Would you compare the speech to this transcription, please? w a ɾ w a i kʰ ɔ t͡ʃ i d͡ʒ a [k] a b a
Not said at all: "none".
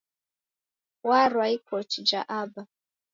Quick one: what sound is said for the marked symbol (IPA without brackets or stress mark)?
ʔ